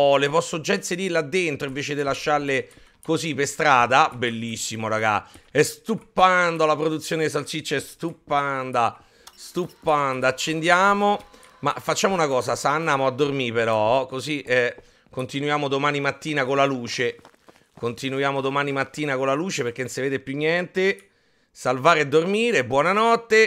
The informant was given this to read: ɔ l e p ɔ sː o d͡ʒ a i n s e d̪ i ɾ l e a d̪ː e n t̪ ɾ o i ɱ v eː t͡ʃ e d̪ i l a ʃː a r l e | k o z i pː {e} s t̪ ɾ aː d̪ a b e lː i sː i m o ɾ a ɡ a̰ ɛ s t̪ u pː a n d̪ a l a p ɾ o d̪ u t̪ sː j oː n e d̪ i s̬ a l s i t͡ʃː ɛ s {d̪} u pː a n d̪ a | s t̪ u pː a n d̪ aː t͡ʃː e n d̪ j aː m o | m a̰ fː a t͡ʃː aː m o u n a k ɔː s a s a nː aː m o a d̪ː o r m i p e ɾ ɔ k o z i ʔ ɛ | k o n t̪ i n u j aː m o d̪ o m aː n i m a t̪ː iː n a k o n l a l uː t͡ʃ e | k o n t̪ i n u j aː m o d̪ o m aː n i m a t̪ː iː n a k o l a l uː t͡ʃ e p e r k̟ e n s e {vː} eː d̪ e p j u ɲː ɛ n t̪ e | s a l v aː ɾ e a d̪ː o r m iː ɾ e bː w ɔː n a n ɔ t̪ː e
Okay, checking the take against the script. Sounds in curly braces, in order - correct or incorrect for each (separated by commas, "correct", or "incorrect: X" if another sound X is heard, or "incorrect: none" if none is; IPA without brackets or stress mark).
correct, incorrect: t̪, incorrect: v